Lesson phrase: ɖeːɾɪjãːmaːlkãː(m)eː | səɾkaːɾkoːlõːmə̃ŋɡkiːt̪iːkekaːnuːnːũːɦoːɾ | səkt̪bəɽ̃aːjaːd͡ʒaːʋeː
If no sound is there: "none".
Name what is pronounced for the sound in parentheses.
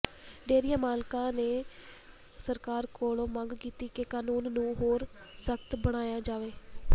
n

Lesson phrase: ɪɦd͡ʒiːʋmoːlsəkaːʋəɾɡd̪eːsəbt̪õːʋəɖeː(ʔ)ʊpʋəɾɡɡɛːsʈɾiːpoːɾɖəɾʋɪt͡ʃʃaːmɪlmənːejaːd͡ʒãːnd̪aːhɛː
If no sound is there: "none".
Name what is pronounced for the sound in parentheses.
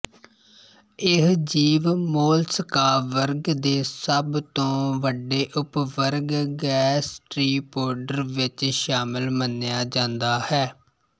ʔ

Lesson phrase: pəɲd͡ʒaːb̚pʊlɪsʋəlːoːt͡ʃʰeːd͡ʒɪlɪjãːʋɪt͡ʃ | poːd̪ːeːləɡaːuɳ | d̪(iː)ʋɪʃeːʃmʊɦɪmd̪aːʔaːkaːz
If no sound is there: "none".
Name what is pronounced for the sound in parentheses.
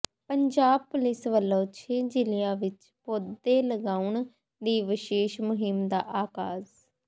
iː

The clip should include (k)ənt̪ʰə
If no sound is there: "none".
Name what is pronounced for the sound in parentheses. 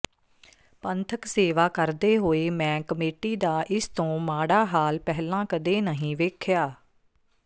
p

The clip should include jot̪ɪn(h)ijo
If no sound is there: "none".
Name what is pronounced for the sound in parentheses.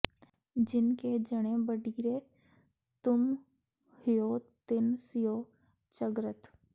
s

